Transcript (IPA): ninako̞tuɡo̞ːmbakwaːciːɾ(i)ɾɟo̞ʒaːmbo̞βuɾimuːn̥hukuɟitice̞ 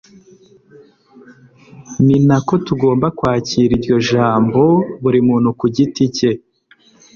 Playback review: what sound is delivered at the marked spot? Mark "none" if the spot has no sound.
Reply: i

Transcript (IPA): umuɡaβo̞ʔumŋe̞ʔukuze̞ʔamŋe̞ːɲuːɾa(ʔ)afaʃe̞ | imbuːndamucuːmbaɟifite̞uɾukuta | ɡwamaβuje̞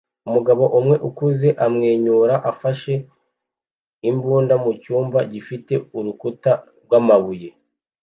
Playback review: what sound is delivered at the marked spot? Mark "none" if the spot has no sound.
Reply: ʔ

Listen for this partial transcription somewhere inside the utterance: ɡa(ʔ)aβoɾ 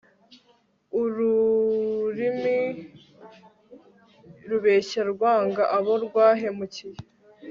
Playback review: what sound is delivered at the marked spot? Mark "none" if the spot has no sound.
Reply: ʔ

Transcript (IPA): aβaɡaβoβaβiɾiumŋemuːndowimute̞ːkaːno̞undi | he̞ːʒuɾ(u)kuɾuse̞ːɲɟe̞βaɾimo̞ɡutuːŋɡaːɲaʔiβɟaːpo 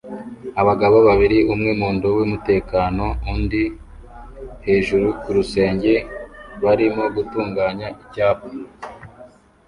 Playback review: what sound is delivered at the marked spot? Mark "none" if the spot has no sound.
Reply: u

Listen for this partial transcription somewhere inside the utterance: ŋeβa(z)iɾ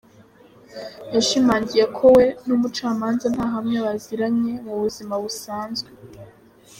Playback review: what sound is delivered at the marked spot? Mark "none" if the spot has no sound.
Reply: z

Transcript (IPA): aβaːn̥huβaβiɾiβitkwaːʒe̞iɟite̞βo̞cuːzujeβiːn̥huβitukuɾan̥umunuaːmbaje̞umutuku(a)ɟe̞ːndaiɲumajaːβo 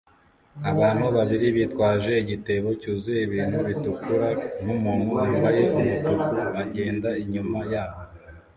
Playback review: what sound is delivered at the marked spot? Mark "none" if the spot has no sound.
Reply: a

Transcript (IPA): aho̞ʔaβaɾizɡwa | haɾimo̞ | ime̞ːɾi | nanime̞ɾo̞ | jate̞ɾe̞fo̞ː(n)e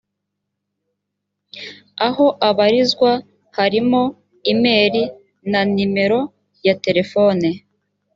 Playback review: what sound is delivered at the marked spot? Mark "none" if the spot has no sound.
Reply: n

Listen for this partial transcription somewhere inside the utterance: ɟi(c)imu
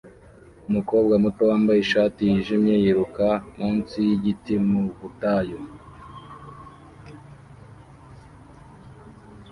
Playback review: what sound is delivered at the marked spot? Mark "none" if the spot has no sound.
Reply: t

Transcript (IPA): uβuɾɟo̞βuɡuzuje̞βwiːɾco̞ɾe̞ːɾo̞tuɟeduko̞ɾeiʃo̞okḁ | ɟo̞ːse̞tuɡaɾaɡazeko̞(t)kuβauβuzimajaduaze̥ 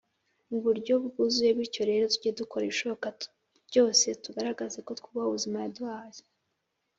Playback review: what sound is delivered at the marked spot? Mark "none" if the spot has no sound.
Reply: t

